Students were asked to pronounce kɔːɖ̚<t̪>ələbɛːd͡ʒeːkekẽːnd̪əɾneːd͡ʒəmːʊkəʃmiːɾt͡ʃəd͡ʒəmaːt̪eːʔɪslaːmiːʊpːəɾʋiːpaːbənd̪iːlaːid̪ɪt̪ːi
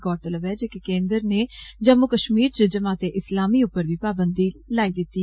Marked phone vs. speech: correct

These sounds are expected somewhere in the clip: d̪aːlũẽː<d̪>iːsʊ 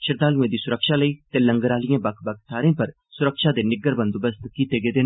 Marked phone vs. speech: correct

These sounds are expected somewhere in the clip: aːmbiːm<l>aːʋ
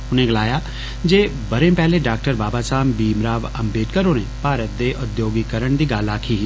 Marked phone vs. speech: incorrect: ɾ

